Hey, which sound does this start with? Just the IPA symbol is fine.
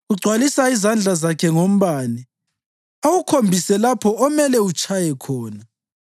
u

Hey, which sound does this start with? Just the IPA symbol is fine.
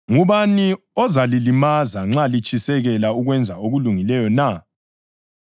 ŋ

